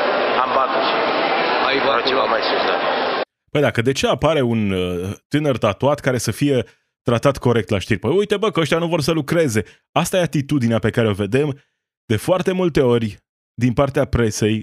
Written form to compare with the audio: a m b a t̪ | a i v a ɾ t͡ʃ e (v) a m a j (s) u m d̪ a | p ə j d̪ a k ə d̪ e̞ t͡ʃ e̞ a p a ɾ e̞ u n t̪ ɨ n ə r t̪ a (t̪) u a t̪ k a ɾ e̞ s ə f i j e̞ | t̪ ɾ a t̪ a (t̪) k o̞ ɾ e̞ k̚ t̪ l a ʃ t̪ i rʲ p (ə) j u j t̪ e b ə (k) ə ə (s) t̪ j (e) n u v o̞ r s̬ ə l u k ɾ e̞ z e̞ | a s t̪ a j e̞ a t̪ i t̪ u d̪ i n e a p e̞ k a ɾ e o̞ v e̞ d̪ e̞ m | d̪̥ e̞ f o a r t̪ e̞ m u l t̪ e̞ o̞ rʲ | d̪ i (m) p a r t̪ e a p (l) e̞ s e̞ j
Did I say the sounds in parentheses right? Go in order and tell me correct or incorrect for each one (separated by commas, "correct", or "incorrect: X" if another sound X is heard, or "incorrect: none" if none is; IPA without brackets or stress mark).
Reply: correct, correct, correct, correct, correct, correct, incorrect: ʃ, incorrect: a, incorrect: n, incorrect: ɾ